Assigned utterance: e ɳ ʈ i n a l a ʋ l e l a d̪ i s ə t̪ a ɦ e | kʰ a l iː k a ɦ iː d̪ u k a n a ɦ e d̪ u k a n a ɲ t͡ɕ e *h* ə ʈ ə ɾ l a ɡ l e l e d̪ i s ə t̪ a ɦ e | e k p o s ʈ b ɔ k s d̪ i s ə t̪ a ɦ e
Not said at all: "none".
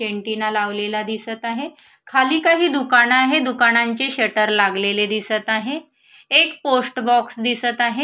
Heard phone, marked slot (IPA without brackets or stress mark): ɕ